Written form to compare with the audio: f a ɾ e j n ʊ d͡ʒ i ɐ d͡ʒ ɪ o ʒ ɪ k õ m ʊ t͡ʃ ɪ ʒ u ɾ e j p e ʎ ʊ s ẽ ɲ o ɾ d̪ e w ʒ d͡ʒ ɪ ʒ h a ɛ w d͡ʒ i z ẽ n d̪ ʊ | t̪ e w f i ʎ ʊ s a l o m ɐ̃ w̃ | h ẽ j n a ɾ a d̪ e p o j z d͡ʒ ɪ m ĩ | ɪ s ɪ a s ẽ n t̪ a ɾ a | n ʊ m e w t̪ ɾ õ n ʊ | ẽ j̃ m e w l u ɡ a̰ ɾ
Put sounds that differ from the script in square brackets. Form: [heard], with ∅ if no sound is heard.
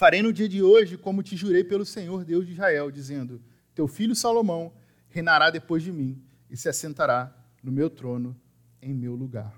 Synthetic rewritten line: f a ɾ e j n ʊ d͡ʒ i ɐ d͡ʒ ɪ o ʒ ɪ k õ m ʊ t͡ʃ ɪ ʒ u ɾ e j p e [l] ʊ s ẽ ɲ o ɾ d̪ e w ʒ d͡ʒ [i] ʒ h a ɛ w d͡ʒ i z ẽ n d̪ ʊ | t̪ e w f i ʎ ʊ s a l o m ɐ̃ w̃ | h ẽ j n a ɾ a d̪ e p o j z d͡ʒ ɪ m ĩ | ɪ s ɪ a s ẽ n t̪ a ɾ a | n ʊ m e w t̪ ɾ õ n ʊ | ẽ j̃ m e w l u ɡ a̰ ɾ